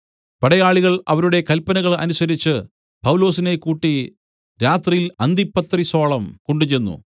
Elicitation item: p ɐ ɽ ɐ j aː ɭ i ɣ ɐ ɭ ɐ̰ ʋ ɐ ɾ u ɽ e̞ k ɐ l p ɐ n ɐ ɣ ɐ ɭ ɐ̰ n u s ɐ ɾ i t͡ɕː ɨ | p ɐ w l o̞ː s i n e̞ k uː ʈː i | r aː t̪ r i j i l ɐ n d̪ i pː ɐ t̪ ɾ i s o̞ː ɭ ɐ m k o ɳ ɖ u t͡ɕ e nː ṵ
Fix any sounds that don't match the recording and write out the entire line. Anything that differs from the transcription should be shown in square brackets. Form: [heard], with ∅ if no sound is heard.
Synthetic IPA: p ɐ ɽ ɐ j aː ɭ i ɣ ɐ ɭ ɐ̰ ʋ ɐ ɾ u ɽ e̞ k ɐ l p ɐ n ɐ ɣ ɐ ɭ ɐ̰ n u s ɐ ɾ i t͡ɕː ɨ | p ɐ w l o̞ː s i n e̞ k uː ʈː i | [ɾ] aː t̪ r i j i l ɐ n d̪ i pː ɐ t̪ [r] i s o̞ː ɭ ɐ m k o ɳ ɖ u t͡ɕ e nː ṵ